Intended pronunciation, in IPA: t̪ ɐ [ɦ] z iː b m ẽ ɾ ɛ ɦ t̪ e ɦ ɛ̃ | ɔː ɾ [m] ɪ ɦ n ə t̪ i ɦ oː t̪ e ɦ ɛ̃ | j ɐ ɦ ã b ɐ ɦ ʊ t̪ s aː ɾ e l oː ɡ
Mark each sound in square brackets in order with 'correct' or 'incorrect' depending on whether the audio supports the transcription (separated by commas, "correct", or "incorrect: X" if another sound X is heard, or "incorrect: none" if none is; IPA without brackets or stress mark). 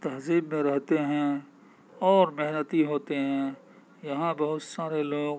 correct, correct